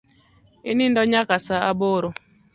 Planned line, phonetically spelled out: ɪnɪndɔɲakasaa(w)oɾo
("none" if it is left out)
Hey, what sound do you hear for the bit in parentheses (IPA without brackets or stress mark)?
b